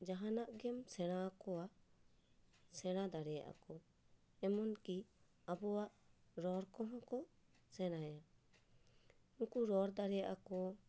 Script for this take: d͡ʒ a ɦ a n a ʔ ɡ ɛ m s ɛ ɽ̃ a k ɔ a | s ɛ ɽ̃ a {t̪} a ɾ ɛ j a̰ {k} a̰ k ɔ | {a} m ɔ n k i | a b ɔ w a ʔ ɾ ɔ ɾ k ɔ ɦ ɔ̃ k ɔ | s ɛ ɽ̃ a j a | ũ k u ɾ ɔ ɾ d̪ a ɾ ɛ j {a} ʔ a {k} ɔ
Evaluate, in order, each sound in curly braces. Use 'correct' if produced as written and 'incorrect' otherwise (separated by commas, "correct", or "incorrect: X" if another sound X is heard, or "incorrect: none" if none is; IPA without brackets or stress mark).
incorrect: d̪, incorrect: ʔ, incorrect: ɛ, correct, correct